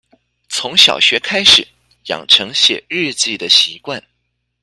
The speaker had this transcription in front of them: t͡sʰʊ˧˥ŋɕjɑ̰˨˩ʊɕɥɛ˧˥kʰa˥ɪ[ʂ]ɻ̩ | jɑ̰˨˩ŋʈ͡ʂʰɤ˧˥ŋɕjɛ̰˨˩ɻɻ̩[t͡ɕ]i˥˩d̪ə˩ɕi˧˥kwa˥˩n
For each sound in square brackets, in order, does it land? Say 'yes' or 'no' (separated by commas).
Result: yes, yes